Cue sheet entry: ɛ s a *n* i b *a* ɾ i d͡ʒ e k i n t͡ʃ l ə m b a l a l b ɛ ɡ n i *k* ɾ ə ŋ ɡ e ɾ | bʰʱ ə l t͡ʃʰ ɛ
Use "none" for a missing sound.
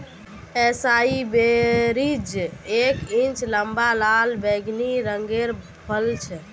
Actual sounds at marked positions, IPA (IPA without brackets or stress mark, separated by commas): none, e, none